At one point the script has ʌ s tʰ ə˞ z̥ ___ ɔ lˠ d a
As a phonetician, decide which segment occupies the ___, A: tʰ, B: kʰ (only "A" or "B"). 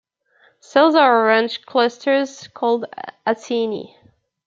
B